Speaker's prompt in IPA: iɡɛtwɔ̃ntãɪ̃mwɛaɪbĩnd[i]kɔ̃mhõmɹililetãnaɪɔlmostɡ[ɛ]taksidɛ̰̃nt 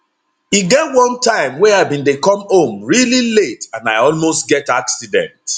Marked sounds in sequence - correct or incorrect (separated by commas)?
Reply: incorrect, correct